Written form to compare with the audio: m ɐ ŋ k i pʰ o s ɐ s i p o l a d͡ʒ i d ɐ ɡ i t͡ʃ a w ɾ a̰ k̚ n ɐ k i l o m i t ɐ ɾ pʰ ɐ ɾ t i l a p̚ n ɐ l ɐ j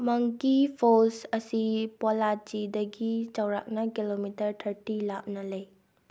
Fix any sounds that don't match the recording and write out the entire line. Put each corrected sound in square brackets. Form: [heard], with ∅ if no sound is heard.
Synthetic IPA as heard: m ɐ ŋ k i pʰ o s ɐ s i p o l a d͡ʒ i d ɐ ɡ i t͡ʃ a w ɾ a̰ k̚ n ɐ k i l o m i t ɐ ɾ [tʰ] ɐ ɾ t i l a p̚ n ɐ l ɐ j